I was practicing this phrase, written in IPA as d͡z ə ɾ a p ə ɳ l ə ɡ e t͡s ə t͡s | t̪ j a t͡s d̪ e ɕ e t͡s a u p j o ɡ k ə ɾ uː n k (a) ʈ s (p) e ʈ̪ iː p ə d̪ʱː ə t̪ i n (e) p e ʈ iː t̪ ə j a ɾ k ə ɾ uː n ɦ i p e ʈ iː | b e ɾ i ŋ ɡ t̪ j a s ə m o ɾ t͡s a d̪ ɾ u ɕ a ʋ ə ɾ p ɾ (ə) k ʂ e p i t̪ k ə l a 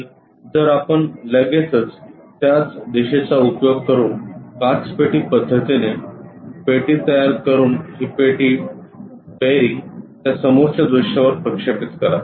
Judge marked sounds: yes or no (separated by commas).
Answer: yes, yes, yes, yes